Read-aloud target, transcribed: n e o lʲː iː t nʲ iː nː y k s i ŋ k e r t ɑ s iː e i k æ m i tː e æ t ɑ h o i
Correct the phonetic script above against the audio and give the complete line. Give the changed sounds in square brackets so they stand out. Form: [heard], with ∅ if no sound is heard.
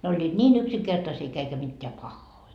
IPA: n e o lʲː iː t nʲ iː [n] y k s i ŋ k e r t ɑ s iː e i k æ m i tː e æ [p] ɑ [hː] o i